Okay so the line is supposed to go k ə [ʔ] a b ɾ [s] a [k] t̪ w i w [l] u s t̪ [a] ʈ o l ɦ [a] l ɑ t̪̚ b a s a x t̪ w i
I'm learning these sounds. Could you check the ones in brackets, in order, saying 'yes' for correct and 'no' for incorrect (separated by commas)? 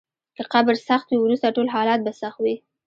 no, yes, no, no, yes, no